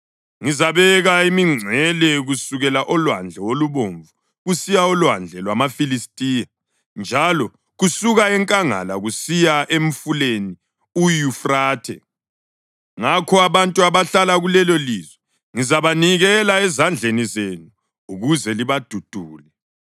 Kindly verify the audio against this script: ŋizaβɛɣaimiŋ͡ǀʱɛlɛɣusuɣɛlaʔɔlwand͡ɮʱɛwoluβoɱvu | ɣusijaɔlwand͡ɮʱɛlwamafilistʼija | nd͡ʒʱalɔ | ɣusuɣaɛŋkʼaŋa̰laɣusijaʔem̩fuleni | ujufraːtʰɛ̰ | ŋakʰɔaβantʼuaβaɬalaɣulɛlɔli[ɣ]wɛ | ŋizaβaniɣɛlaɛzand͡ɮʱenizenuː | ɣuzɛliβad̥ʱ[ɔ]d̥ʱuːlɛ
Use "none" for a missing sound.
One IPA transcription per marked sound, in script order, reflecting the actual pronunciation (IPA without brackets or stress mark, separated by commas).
z, u